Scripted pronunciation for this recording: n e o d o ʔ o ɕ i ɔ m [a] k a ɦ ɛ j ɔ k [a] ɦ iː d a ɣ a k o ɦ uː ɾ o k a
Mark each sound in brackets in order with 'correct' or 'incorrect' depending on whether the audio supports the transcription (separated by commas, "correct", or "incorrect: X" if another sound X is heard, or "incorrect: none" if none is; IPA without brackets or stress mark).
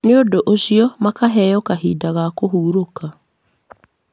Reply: correct, correct